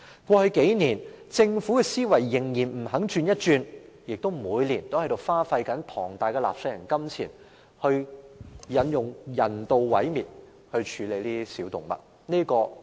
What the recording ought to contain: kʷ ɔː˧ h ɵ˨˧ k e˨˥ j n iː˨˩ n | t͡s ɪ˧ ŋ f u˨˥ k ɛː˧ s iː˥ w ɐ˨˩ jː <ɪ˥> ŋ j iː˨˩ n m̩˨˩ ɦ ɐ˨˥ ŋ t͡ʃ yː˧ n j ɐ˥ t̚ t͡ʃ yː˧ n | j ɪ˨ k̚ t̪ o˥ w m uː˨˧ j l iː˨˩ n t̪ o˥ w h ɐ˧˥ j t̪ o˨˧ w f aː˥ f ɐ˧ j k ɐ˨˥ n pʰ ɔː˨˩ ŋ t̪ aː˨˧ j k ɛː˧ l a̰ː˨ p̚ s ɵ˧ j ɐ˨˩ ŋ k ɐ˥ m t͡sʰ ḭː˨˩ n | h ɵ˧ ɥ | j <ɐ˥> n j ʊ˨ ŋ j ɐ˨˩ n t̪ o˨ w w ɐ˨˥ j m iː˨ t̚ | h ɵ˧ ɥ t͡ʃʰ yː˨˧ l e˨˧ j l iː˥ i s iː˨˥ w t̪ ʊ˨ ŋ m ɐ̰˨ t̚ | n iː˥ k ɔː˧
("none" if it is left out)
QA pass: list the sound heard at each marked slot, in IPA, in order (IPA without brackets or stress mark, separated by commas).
ɪ˨˩, ɐ˨˧